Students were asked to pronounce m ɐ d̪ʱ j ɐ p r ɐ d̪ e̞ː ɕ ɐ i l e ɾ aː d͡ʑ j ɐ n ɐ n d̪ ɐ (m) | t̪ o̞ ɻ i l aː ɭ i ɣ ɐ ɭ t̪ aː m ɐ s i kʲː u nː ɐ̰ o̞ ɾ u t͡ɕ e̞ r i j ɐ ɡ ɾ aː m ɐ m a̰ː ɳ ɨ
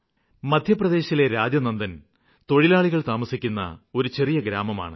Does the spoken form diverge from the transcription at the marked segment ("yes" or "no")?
yes